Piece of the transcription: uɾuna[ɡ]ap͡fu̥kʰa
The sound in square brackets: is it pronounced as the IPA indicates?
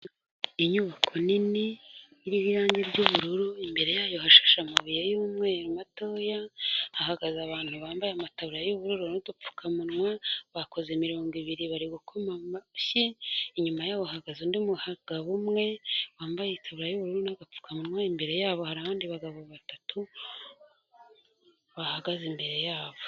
yes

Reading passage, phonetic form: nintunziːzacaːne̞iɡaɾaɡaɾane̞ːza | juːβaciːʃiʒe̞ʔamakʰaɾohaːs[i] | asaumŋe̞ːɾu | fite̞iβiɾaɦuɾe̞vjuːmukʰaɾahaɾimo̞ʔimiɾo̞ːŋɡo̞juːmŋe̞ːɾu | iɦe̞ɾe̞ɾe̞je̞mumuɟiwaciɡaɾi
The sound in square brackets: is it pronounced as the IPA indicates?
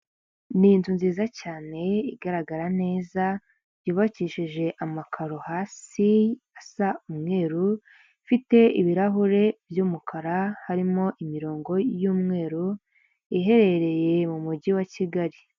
yes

